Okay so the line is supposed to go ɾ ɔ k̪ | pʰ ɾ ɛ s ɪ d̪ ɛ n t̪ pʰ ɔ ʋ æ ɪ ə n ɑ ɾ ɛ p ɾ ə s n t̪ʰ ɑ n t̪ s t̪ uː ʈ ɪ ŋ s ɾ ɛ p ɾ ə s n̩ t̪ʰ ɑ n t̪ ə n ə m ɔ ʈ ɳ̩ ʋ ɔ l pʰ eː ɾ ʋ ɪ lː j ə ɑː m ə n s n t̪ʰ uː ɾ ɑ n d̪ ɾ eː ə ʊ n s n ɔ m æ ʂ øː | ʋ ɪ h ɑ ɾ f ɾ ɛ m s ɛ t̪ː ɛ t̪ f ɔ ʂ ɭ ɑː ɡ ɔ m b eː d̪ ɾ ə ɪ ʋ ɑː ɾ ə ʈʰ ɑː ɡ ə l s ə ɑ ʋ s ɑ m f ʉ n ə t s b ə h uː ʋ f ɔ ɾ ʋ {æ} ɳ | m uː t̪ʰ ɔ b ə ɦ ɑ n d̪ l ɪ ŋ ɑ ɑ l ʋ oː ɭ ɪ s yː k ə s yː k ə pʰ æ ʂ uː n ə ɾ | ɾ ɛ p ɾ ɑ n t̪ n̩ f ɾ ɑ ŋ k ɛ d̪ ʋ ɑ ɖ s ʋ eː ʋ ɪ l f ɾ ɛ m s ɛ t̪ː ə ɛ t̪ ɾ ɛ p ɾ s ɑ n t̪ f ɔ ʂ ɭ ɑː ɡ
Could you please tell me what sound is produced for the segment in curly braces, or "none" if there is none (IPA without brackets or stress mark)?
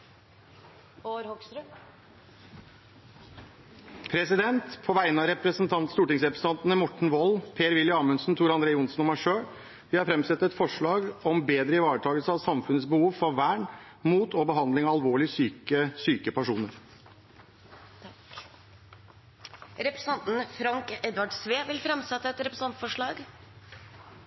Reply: æː